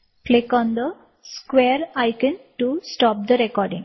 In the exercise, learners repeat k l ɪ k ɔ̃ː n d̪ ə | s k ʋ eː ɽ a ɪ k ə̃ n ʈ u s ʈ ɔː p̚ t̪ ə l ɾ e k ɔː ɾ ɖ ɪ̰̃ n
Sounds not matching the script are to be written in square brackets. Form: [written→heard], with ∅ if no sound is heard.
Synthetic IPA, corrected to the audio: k l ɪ k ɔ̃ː n d̪ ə | s k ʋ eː [ɽ→ɾ] a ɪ k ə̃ n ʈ u s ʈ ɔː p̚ [t̪→d̪] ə [l→∅] ɾ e k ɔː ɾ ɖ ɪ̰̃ [n→ŋ]